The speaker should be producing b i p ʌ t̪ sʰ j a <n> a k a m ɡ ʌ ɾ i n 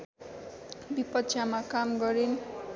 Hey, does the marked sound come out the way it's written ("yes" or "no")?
no